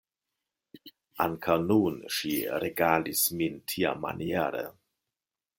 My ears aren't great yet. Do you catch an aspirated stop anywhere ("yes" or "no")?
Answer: yes